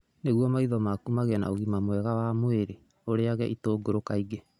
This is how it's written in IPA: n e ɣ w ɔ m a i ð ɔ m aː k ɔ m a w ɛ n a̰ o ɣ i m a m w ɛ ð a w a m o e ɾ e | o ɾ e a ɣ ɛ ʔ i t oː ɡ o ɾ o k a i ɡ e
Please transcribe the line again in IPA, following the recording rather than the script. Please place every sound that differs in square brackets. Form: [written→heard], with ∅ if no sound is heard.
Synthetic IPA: n e ɣ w ɔ m a i ð ɔ m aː k [ɔ→u] m a [w→ɣ] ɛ n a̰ o ɣ i m a m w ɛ [ð→ɣ] a w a m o e ɾ e | o ɾ e a ɣ ɛ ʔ i t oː ɡ o ɾ o k a i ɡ e

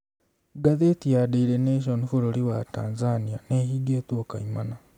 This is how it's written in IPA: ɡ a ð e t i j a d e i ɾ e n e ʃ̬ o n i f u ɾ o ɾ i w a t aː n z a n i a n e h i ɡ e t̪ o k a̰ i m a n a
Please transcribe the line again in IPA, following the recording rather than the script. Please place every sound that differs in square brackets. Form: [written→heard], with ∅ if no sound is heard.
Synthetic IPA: ɡ a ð e t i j a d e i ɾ e n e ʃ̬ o n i f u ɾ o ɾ i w a t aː n z a n i a n e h i ɡ e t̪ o k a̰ i m a n a

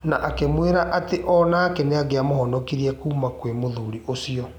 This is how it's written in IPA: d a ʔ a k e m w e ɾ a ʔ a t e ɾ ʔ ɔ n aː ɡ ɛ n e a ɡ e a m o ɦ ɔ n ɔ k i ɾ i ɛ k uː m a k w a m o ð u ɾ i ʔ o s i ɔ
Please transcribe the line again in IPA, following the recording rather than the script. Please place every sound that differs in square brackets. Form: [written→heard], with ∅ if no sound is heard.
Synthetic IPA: [d→n] a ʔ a k e m w e ɾ a ʔ a t e [ɾ→∅] ʔ ɔ n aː [ɡ→k] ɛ n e a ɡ e a m o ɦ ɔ n ɔ k i ɾ i ɛ k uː m a k w [a→e] m o ð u ɾ i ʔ o s i ɔ

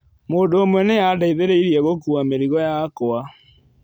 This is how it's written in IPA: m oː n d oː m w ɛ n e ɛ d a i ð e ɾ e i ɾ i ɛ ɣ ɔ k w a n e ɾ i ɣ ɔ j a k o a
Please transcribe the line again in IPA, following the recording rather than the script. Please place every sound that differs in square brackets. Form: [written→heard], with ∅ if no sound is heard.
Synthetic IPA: m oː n d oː m w ɛ n e [ɛ→a] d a i ð e ɾ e i ɾ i ɛ ɣ [ɔ→o] k [w→u] a [n→m] e ɾ i ɣ ɔ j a k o a

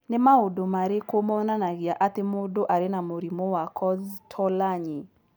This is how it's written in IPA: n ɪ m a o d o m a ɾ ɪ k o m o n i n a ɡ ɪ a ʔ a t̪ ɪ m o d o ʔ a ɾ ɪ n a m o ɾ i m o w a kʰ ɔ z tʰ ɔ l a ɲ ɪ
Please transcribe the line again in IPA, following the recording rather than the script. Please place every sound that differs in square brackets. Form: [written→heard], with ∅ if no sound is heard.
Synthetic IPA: n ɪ m a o d o m a ɾ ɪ k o m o n [i→a] n a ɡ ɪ a ʔ a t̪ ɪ m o d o ʔ a ɾ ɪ n a m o ɾ i m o w a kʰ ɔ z tʰ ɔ l a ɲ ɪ

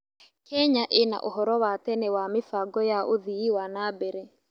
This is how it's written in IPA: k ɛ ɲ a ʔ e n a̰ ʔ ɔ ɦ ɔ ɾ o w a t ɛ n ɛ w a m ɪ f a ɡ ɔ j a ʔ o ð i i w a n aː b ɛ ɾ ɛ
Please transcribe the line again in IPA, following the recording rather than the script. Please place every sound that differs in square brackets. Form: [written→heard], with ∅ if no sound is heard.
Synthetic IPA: k ɛ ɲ a ʔ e n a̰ ʔ [ɔ→o] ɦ ɔ ɾ [o→ɔ] w a t ɛ n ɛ w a m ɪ f a ɡ ɔ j a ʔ o ð i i w a n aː b ɛ ɾ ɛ

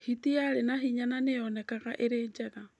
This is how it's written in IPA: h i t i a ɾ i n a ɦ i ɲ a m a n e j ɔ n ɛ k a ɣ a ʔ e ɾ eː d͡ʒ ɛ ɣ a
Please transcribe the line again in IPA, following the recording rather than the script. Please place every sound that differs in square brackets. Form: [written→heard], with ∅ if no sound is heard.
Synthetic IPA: h i t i a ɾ [i→e] n a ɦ i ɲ a [m→n] a n e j ɔ n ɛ k a ɣ a ʔ e ɾ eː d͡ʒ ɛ ɣ a

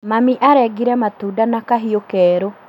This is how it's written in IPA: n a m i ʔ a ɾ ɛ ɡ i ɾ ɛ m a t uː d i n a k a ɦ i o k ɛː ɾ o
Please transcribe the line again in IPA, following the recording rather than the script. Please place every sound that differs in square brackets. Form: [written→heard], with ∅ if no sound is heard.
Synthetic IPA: [n→m] a m i ʔ a ɾ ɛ ɡ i ɾ ɛ m a t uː d [i→a] n a k a ɦ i o k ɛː ɾ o

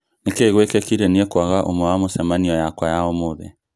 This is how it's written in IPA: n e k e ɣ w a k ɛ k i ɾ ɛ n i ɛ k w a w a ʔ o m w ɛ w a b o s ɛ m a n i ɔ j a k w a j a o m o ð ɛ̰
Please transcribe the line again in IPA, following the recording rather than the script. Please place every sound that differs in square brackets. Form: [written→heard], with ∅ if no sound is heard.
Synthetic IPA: n e k e ɣ w [a→e] k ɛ k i ɾ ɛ n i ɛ k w a [w→ɣ] a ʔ o m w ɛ w a [b→m] o s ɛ m a n i ɔ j a k w a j a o m o ð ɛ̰

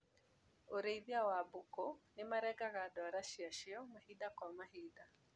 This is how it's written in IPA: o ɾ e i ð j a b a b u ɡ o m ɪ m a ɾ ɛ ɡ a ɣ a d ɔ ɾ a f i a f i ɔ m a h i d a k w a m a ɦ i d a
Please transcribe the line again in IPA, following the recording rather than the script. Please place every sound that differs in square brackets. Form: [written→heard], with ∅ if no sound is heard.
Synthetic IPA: o ɾ e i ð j a [b→w] a b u [ɡ→k] o [m→n] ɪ m a ɾ ɛ ɡ a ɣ a d ɔ ɾ a [f→ʃ] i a [f→ʃ] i ɔ m a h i d a k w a m a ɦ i d a

